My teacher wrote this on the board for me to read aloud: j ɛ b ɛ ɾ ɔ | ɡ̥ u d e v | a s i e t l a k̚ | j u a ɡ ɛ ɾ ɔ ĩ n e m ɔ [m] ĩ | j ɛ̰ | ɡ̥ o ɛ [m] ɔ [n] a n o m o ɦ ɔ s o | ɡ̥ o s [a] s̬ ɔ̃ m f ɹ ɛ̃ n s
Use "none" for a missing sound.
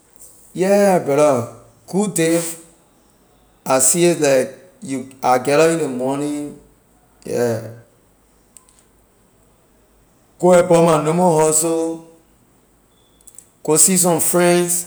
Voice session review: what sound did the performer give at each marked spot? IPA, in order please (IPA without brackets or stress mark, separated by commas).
n, b, m, i